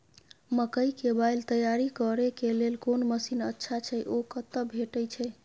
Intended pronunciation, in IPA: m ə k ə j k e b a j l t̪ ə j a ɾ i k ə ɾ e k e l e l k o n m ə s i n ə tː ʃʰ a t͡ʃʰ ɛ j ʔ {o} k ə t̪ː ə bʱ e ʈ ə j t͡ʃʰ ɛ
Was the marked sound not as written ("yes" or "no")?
no